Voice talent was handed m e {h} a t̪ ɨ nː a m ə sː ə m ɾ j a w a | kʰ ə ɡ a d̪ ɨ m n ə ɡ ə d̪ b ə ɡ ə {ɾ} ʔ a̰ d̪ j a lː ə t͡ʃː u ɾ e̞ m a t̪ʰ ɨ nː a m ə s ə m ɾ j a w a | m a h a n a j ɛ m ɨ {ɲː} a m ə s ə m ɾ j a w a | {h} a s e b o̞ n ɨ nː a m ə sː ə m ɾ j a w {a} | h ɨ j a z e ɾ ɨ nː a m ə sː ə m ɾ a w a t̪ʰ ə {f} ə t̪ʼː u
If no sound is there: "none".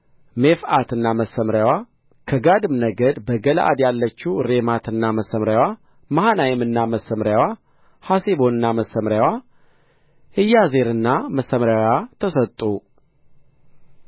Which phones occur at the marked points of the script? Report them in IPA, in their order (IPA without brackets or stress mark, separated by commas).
f, l, nː, h, a, s